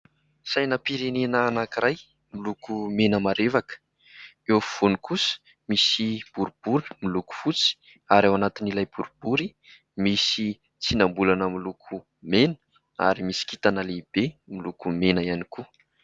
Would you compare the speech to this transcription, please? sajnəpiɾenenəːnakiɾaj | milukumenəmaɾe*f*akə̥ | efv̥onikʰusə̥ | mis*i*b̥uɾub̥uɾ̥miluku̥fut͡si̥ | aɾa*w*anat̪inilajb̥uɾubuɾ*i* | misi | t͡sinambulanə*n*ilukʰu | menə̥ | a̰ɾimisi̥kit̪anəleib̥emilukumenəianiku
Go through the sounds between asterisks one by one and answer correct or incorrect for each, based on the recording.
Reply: incorrect: v, correct, correct, correct, incorrect: m

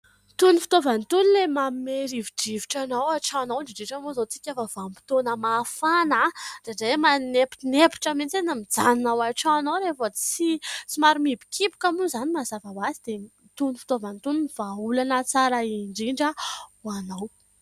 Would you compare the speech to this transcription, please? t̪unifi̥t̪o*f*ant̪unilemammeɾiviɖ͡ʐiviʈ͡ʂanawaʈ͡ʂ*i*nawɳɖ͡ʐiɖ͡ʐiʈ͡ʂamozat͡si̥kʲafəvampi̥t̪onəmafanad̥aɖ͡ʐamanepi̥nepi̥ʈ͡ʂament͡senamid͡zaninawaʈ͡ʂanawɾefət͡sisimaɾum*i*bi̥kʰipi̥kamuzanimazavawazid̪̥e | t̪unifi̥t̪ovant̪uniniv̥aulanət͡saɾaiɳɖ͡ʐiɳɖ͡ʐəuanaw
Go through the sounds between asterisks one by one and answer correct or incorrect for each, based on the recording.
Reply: incorrect: v, incorrect: a, correct

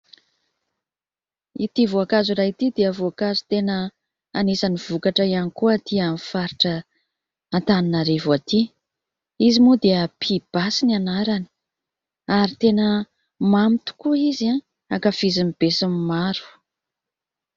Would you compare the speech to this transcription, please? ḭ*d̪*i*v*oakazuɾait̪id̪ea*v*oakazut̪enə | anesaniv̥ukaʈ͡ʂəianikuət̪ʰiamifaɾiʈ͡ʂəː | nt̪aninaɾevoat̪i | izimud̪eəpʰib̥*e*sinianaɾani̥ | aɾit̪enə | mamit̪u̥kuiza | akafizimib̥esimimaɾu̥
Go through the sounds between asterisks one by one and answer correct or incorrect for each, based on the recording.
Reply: incorrect: t̪, correct, correct, incorrect: a

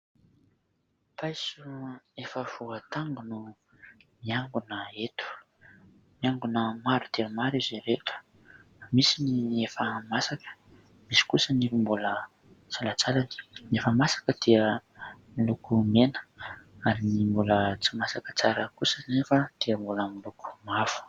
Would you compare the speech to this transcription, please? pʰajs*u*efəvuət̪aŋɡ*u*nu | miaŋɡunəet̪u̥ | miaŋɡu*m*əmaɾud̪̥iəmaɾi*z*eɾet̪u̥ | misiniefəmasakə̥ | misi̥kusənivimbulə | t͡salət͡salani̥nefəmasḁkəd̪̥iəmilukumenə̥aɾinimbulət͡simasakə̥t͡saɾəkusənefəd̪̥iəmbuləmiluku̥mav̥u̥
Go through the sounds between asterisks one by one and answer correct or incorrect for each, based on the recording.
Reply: correct, correct, incorrect: n, correct

